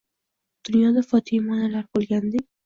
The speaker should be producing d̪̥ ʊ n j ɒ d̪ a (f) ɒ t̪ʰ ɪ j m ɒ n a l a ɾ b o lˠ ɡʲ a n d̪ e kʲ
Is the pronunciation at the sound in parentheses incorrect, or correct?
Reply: correct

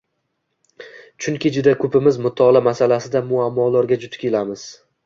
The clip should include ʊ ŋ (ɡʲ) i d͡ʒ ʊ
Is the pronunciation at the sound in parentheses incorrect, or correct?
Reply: incorrect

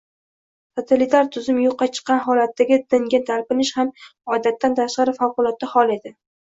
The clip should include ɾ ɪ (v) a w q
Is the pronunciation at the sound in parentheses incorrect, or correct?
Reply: incorrect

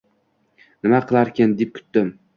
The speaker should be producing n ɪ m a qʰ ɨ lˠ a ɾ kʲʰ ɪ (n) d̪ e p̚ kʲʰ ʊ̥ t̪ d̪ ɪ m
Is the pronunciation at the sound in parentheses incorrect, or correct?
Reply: correct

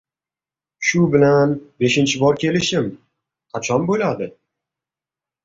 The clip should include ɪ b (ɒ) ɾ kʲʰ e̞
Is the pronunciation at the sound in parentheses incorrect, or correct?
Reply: correct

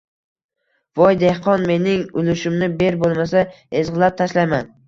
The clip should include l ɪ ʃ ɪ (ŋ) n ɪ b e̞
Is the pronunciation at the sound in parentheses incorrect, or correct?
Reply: incorrect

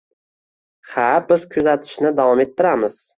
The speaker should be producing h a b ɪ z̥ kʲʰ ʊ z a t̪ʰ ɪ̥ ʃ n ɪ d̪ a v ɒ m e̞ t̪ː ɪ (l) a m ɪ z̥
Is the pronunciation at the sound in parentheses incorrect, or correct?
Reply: incorrect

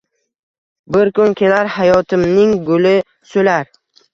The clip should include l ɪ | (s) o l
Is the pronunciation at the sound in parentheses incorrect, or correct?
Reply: correct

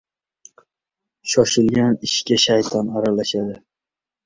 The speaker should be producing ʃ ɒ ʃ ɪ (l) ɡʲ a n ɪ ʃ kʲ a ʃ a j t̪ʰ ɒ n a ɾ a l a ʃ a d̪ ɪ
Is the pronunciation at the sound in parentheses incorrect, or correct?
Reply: correct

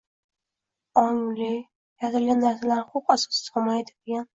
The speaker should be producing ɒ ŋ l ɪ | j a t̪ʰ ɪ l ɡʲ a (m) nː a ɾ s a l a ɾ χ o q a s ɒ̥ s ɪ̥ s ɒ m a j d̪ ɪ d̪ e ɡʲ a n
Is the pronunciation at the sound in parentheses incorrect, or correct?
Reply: incorrect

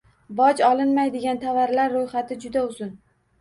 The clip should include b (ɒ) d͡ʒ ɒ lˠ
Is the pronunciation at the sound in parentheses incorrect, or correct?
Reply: correct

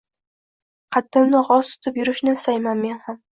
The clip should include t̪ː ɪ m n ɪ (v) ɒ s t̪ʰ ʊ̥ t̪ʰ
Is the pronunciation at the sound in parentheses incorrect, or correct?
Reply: incorrect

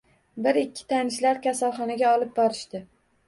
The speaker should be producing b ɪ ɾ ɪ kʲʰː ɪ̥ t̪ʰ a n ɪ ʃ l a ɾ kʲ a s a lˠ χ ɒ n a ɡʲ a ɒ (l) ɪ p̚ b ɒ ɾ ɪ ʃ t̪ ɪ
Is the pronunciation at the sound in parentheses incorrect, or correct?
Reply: correct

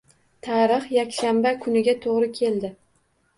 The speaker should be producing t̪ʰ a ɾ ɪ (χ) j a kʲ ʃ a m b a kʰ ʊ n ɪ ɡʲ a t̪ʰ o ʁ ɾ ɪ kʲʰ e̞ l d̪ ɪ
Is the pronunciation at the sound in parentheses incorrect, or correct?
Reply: correct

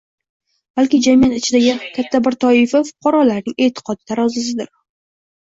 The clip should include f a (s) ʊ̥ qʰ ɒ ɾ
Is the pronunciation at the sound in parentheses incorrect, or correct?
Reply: incorrect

